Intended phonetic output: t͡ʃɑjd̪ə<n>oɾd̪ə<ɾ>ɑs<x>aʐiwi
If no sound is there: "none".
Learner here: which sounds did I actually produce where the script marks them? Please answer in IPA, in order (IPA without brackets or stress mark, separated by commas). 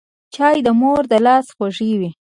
m, l, x